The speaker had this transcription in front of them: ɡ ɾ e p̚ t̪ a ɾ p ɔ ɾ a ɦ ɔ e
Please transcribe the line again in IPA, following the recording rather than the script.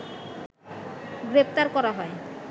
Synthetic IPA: ɡ ɾ e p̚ t̪ a ɾ k ɔ ɾ a ɦ ɔ e

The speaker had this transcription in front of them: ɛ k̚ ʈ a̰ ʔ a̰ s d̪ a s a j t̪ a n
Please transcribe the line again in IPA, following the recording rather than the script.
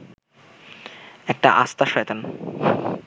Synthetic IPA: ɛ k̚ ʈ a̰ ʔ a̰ s t̪ a ʃ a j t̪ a n

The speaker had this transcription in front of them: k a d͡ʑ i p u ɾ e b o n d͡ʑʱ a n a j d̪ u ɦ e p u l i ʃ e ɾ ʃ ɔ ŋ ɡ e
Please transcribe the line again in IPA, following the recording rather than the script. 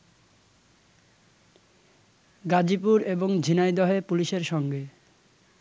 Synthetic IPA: ɡ a d͡ʑ i p u ɾ e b o ŋ d͡ʑʱ i n a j d̪ ɔ ɦ e p u l i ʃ e ɾ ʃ ɔ ŋ ɡ e

